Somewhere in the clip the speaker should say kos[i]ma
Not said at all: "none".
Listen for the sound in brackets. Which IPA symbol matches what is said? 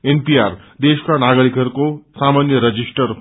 a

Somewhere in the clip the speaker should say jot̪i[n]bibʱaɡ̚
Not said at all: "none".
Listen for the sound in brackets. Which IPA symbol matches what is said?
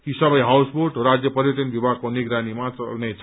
n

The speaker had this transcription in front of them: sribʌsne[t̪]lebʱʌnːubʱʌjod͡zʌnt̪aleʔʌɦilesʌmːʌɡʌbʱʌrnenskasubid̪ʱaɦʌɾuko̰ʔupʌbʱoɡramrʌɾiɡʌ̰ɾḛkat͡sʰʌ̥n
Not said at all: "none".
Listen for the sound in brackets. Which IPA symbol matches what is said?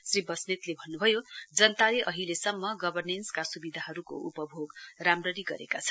t̪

